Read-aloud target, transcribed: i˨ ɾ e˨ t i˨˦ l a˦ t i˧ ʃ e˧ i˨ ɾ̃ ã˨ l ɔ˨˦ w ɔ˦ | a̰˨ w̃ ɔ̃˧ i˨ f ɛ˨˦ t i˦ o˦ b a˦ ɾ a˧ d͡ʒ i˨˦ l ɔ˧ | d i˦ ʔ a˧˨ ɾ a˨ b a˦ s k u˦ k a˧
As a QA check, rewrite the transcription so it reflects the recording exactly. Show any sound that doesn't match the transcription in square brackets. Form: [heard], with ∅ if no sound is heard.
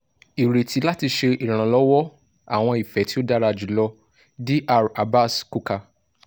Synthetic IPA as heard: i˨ ɾ e˨ t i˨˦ l a˦ t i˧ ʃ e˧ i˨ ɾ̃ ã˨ l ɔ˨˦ w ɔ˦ | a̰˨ w̃ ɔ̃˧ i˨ f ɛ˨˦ t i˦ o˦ [d] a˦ ɾ a˧ d͡ʒ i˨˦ l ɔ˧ | d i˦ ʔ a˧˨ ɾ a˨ b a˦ s k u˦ k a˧